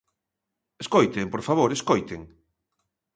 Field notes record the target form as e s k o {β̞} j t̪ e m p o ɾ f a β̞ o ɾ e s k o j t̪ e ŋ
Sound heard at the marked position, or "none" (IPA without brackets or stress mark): none